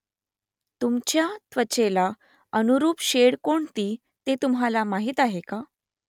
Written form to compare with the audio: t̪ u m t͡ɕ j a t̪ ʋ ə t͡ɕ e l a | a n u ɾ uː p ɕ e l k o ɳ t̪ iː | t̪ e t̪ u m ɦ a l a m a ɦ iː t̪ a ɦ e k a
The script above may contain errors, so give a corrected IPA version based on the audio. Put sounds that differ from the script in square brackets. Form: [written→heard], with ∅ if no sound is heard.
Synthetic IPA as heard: t̪ u m t͡ɕ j a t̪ ʋ ə t͡ɕ e l a | [a→ə] n u ɾ uː p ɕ e [l→ɽ] k o ɳ t̪ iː | t̪ e t̪ u m ɦ a l a m a ɦ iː t̪ a ɦ e k a